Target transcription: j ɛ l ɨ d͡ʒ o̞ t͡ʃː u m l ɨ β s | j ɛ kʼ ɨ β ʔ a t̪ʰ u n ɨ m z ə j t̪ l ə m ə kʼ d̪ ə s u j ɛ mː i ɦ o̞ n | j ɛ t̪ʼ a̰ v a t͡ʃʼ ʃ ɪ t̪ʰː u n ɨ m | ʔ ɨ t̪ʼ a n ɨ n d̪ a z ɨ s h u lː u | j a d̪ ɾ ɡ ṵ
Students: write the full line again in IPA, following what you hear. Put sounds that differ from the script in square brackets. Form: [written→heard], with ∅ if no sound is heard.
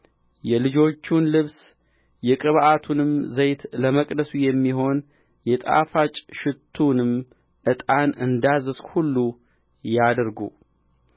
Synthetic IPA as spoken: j ɛ l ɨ d͡ʒ o̞ t͡ʃː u [m→n] l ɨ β s | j ɛ kʼ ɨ β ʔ a t̪ʰ u n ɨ m z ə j t̪ l ə m ə kʼ d̪ ə s u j ɛ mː i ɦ o̞ n | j ɛ t̪ʼ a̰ [v→f] a t͡ʃʼ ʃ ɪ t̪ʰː u n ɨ m | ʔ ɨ t̪ʼ a n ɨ n d̪ a z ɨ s h u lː u | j a d̪ ɾ ɡ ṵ